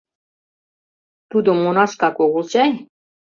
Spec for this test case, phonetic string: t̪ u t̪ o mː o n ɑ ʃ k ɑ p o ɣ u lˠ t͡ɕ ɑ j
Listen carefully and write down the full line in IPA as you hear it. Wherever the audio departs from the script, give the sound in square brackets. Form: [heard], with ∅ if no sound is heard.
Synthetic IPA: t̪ u [d̪] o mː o n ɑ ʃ k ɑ [k] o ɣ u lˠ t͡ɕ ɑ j